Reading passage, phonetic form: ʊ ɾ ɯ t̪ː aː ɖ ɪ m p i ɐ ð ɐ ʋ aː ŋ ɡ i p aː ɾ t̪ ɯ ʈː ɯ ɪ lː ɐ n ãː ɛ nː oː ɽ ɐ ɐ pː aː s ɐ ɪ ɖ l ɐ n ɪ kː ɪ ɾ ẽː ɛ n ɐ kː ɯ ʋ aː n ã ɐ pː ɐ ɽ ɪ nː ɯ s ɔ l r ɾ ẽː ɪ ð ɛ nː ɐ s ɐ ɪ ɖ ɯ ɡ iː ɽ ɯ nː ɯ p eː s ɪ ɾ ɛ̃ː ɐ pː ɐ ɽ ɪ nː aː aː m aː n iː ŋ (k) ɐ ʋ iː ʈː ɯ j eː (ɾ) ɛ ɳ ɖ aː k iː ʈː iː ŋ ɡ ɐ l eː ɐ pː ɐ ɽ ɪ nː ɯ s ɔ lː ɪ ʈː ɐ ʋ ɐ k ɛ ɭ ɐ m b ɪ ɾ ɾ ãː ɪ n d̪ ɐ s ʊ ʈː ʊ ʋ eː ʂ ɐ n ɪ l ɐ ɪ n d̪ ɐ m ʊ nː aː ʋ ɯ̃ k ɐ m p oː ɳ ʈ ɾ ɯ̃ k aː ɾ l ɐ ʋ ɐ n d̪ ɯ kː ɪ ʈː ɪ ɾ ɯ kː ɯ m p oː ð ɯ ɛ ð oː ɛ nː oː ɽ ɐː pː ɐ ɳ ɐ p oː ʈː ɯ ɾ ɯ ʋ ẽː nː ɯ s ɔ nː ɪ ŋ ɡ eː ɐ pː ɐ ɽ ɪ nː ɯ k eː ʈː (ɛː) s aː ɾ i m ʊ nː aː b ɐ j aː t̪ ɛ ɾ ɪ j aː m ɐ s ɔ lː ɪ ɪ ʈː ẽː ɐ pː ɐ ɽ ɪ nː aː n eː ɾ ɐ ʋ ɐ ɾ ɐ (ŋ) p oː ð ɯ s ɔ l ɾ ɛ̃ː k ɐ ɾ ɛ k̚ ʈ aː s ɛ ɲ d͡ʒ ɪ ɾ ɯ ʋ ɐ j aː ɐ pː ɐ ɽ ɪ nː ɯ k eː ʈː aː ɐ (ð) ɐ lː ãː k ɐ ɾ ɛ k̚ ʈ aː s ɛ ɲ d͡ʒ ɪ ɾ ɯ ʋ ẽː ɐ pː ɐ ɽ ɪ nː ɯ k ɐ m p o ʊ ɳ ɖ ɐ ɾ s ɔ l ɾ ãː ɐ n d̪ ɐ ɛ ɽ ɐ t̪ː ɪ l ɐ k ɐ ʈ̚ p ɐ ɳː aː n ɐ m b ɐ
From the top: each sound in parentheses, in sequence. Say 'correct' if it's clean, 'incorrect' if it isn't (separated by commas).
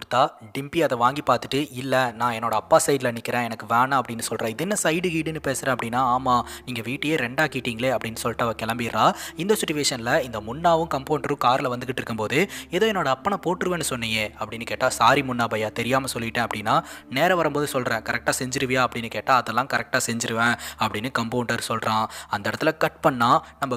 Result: incorrect, correct, incorrect, incorrect, correct